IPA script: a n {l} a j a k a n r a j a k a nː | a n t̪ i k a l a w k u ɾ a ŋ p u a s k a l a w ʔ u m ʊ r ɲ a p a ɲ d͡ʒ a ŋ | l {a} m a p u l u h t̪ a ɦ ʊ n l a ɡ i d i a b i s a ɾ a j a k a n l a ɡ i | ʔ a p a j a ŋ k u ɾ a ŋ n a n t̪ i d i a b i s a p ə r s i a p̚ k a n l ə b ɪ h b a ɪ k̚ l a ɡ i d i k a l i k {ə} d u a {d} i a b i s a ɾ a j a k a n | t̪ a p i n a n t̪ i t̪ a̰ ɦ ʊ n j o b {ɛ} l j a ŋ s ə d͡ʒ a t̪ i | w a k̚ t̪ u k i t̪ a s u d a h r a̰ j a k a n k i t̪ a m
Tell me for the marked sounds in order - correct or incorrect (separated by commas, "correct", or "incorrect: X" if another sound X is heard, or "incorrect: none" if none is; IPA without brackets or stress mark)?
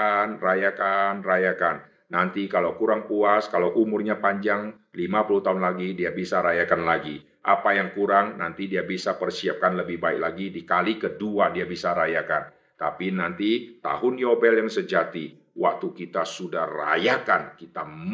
incorrect: r, incorrect: i, correct, correct, correct